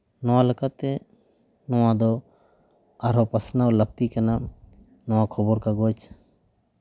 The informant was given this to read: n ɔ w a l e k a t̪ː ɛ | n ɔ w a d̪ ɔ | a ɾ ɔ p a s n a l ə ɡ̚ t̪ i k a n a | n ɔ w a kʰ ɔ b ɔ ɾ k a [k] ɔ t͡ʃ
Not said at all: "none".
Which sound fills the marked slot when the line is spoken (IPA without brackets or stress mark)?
ɡ